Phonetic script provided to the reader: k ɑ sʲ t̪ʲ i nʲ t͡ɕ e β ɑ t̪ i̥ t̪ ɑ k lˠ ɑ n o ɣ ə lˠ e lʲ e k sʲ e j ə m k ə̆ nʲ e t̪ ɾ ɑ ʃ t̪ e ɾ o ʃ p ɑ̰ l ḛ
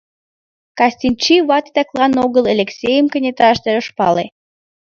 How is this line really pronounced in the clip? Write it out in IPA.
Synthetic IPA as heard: k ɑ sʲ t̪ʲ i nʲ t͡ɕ i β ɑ t̪ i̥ t̪ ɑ k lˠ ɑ n o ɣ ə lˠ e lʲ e k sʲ e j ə m k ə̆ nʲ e t̪ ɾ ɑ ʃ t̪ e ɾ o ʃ p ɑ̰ l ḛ